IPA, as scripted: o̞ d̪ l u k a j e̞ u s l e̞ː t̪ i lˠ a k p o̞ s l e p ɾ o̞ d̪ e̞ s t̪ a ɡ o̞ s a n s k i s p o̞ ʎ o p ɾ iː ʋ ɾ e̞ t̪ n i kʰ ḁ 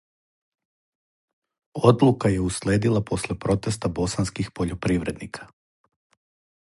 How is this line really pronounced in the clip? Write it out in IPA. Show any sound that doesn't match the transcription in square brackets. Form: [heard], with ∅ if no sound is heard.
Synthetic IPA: o̞ d̪ l u k a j e̞ u s l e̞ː [d̪] i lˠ a [∅] p o̞ s l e p ɾ o̞ [t̪] e̞ s t̪ a [b] o̞ s a n s k i [x] p o̞ ʎ o p ɾ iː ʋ ɾ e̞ [d̪] n i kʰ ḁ